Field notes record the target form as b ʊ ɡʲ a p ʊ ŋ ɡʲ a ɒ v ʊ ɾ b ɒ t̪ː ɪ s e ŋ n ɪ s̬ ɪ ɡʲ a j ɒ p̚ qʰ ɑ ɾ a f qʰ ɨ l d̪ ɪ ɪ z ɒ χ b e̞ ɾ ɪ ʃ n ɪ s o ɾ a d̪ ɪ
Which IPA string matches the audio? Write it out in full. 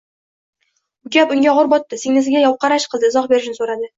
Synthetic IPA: b ʊ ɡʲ a p ʊ ŋ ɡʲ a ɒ ʁ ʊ ɾ b ɒ t̪ː ɪ s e ŋ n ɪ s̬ ɪ ɡʲ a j ɒ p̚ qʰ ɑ ɾ a ʃ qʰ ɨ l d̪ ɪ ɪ z ɒ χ b e̞ ɾ ɪ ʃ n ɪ s o ɾ a d̪ ɪ

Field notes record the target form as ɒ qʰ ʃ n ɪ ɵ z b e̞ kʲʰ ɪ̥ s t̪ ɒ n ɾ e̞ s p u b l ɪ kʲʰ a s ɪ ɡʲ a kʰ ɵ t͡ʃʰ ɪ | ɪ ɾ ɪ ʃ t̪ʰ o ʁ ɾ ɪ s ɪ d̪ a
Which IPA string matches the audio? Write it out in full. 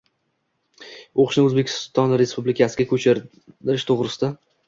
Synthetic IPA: o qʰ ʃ n ɪ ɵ z b e̞ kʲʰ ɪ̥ s t̪ ɒ n ɾ e̞ s p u b l ɪ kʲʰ a s ɪ ɡʲ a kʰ ɵ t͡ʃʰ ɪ | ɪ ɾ ɪ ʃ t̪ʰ o ʁ ɾ ɪ s ɪ d̪ a

